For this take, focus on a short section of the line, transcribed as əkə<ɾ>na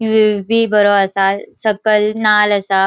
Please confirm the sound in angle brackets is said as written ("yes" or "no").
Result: no